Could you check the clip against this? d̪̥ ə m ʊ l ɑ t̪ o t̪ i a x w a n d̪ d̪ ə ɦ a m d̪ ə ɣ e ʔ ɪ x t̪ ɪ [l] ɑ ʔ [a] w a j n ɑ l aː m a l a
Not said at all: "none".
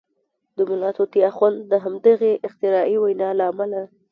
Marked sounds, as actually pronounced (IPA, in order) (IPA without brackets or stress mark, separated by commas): ɾ, i